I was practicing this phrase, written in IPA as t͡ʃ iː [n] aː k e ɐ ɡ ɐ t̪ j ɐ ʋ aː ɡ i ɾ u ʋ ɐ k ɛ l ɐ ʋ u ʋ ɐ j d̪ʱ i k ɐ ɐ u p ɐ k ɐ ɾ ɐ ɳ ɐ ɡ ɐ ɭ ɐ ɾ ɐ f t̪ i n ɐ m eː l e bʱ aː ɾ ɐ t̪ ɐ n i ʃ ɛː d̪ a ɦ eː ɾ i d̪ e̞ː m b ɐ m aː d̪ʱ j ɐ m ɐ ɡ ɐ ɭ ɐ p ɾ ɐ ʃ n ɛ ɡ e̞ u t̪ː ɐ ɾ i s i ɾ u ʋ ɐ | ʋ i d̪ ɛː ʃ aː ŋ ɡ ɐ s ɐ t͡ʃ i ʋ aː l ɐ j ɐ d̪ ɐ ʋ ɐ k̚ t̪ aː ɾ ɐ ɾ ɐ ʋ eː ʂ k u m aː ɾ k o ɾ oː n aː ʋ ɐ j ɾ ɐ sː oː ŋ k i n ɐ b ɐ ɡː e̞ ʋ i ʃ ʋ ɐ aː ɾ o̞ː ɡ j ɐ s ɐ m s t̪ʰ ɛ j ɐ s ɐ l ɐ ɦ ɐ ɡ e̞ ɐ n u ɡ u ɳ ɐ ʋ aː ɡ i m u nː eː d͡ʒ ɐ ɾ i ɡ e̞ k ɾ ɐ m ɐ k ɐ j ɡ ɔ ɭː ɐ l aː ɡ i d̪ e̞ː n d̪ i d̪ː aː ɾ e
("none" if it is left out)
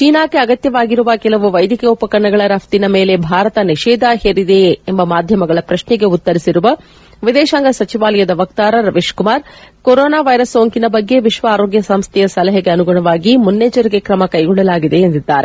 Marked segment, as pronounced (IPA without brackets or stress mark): n